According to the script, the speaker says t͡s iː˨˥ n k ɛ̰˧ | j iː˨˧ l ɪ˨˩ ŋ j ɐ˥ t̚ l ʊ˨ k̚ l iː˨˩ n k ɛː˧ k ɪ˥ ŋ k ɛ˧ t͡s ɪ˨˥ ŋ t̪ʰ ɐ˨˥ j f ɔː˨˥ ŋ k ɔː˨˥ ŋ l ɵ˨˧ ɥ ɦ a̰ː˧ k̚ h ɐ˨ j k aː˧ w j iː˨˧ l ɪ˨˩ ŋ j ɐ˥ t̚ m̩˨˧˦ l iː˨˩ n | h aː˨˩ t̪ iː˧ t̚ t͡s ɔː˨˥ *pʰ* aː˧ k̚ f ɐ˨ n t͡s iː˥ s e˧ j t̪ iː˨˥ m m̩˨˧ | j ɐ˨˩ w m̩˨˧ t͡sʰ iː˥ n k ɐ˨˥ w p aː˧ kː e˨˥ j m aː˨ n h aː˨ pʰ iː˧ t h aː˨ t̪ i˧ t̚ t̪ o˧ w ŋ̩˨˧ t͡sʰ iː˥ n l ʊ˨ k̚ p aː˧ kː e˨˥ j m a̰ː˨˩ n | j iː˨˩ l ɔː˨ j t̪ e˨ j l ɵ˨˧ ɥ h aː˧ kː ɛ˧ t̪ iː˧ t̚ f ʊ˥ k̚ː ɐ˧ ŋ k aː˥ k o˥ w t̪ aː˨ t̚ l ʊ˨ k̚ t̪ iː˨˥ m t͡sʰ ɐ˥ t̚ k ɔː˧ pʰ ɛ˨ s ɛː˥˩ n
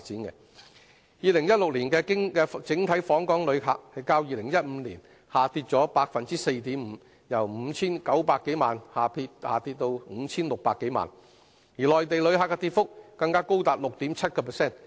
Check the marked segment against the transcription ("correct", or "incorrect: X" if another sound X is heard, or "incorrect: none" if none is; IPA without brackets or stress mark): incorrect: p